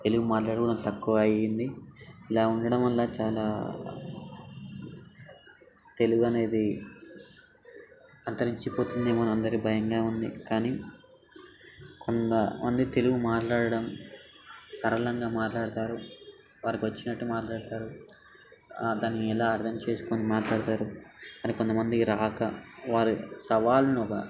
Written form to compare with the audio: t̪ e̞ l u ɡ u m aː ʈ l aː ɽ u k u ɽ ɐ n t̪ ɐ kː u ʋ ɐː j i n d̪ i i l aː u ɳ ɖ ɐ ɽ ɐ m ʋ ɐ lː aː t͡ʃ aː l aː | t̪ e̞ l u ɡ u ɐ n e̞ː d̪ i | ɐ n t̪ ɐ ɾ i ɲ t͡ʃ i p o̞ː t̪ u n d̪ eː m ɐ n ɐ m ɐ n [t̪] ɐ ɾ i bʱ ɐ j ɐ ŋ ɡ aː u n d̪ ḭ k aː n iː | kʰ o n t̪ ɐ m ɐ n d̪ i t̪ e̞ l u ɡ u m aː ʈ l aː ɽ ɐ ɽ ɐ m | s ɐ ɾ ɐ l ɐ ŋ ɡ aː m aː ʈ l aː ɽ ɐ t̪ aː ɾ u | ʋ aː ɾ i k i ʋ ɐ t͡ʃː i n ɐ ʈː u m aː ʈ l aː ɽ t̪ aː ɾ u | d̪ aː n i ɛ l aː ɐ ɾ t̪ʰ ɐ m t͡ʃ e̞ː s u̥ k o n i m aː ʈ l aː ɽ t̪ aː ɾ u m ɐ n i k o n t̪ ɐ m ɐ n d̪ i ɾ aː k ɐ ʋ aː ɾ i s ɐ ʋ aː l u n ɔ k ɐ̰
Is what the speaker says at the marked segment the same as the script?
no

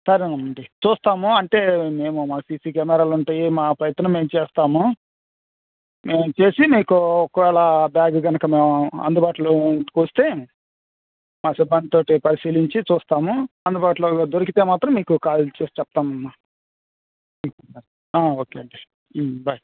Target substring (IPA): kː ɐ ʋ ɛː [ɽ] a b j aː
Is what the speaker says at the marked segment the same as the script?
no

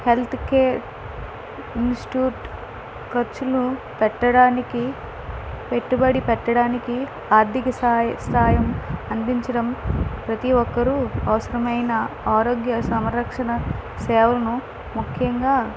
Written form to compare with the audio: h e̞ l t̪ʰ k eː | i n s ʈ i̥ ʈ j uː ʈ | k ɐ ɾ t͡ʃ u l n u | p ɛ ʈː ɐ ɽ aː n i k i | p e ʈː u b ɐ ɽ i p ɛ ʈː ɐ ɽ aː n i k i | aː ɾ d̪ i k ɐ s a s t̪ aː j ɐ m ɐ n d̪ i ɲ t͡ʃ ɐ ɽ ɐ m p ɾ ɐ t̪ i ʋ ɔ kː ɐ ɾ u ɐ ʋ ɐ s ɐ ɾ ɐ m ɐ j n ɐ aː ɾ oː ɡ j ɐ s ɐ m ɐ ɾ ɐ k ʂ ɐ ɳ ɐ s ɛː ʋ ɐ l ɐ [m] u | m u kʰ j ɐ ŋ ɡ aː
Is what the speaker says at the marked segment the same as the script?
no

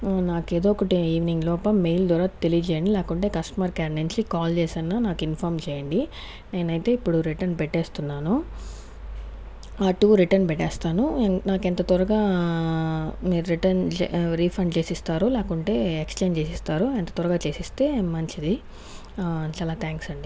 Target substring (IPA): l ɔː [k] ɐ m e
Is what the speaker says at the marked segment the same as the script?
no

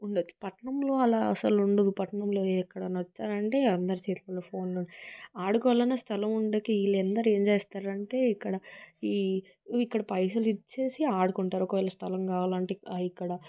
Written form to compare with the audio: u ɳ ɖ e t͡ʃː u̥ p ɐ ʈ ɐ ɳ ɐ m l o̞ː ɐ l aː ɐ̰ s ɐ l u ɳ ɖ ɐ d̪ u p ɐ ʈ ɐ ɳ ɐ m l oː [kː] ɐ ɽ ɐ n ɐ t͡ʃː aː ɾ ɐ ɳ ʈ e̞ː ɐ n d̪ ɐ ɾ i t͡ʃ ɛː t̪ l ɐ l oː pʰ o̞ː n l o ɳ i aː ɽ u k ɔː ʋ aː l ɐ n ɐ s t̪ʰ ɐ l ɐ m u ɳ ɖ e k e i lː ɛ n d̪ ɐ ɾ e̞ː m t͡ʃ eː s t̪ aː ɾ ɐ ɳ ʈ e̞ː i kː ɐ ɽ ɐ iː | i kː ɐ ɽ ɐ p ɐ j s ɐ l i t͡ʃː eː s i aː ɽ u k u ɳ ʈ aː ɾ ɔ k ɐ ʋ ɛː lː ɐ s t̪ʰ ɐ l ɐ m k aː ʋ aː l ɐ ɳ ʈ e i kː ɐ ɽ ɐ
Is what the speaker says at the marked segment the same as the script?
yes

